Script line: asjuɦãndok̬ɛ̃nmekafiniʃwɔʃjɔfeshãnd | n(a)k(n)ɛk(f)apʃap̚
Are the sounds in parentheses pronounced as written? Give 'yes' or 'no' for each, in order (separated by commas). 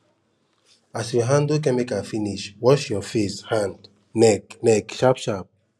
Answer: no, yes, no